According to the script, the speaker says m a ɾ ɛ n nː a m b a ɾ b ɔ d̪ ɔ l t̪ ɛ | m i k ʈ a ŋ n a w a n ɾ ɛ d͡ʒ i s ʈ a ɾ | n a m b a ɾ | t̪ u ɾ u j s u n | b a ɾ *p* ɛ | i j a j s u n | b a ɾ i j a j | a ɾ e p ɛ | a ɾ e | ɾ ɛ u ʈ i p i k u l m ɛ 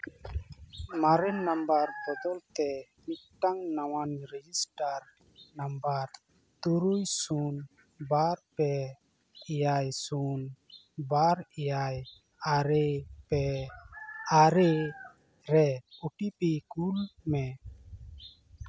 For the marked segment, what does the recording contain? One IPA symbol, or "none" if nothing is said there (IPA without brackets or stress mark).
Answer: p